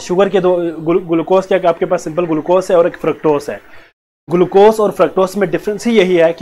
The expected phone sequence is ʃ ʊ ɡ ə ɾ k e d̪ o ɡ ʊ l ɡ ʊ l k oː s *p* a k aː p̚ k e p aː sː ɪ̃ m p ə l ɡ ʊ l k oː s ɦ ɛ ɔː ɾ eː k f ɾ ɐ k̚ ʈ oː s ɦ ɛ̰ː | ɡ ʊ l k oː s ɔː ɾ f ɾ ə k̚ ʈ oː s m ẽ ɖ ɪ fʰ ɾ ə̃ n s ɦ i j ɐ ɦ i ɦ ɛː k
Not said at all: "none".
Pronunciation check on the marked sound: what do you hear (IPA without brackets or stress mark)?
k